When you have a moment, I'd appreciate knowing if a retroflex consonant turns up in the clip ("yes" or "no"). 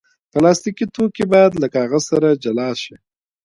no